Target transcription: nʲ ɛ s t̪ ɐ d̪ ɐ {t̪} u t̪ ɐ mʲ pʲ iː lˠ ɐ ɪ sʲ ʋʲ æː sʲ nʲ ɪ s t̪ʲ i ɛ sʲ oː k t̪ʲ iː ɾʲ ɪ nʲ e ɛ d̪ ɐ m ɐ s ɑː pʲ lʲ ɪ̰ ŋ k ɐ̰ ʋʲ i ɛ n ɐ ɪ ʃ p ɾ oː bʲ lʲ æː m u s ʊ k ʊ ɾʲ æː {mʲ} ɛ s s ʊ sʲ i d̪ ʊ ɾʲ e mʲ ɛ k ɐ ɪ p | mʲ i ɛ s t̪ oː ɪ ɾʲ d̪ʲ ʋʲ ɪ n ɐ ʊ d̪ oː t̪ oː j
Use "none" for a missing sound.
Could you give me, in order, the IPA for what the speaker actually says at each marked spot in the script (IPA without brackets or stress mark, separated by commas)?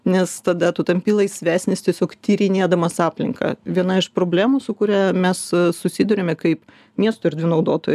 t̪, mʲ